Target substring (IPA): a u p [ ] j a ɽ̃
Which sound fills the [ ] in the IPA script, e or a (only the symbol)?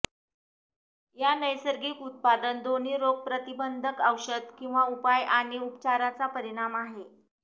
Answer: a